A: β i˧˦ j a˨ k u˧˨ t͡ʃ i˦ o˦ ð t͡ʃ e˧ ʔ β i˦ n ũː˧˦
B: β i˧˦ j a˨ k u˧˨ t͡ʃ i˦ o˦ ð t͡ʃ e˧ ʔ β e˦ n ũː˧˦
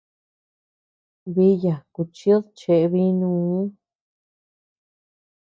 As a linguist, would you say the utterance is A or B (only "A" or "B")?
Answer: A